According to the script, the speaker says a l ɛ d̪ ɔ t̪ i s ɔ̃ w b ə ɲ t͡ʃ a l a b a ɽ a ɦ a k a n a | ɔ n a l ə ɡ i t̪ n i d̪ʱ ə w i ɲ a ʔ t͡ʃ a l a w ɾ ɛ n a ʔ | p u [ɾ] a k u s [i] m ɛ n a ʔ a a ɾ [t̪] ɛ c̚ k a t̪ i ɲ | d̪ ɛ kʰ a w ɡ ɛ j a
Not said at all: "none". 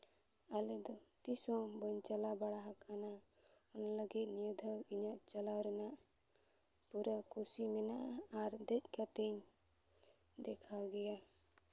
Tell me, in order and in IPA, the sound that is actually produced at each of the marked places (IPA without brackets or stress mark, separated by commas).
ɾ, i, d̪